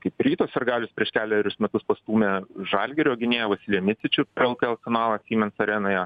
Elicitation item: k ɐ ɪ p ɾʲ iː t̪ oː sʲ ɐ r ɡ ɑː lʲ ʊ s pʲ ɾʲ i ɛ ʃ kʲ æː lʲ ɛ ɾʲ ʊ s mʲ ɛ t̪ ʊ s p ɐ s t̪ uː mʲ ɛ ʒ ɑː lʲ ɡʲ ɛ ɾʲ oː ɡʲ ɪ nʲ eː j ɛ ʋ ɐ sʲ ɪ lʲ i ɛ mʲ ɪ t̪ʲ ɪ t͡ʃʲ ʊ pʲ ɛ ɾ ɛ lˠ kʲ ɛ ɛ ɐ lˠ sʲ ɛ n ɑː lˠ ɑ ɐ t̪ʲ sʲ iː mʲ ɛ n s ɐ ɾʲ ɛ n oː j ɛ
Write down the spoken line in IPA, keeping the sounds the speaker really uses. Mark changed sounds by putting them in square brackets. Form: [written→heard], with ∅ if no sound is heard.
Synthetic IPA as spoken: k ɐ ɪ p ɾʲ iː t̪ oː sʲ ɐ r ɡ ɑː lʲ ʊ s pʲ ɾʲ i ɛ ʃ kʲ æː lʲ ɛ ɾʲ ʊ s mʲ ɛ t̪ ʊ s p ɐ s t̪ uː mʲ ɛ ʒ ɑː lʲ ɡʲ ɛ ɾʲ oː ɡʲ ɪ nʲ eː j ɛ ʋ ɐ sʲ ɪ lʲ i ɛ mʲ ɪ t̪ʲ ɪ t͡ʃʲ ʊ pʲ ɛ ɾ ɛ lˠ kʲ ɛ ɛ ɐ lˠ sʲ ɛ n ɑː lˠ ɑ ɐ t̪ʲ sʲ iː mʲ ɛ n s ɐ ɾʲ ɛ n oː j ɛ